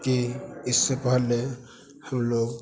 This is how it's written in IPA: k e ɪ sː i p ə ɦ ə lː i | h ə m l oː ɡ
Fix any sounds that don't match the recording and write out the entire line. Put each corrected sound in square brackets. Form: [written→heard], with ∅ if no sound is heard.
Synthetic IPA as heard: k [e→i] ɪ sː [i→e] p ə ɦ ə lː [i→e] | h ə m l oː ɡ